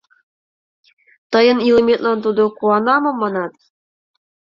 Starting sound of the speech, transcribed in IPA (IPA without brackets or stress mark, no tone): t̪